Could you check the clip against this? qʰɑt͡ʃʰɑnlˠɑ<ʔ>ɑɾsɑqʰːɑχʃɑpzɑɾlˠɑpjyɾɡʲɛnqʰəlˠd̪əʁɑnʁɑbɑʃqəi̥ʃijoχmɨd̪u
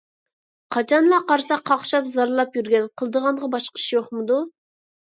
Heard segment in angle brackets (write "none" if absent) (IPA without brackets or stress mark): q